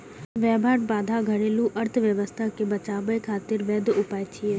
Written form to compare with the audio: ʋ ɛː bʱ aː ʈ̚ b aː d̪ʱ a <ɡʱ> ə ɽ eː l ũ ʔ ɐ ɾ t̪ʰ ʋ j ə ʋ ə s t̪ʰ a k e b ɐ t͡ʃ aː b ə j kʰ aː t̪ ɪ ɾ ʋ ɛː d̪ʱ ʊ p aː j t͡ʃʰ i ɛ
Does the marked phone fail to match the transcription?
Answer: no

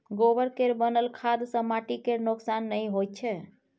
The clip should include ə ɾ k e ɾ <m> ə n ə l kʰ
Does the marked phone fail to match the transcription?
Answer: yes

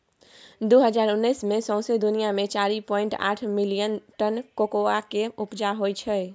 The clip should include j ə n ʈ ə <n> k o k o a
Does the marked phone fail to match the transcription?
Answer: no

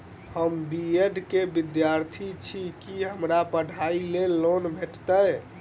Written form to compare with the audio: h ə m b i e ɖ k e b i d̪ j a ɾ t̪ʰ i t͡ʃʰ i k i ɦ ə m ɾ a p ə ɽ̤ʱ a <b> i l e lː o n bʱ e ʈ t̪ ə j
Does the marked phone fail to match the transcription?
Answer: yes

